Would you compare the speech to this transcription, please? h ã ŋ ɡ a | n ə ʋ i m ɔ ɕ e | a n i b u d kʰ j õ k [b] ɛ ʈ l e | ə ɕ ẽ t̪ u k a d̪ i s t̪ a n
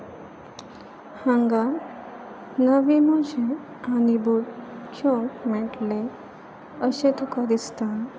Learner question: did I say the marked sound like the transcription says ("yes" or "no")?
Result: no